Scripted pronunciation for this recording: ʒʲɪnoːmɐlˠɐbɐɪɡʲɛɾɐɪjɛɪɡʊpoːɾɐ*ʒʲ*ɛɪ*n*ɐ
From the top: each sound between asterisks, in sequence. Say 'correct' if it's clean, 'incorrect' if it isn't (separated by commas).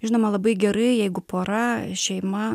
incorrect, incorrect